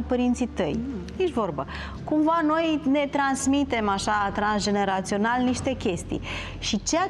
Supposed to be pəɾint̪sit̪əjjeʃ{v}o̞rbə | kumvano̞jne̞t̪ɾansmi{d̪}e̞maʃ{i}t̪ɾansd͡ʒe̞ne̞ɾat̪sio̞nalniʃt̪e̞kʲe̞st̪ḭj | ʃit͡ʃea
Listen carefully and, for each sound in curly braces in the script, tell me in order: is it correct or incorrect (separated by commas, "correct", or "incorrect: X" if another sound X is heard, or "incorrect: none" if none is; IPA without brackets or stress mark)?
correct, incorrect: t̪, incorrect: a